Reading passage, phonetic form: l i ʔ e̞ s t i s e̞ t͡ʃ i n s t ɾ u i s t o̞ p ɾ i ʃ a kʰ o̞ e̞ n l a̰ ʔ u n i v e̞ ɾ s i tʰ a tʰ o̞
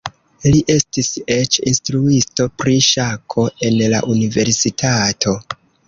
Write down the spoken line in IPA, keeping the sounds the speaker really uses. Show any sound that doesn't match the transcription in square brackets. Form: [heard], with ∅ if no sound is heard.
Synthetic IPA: l i ʔ e̞ s t i s e̞ t͡ʃ i n s t ɾ u i s t o̞ p ɾ i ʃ a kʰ o̞ e̞ n l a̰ ʔ u n i v e̞ ɾ s i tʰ a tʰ o̞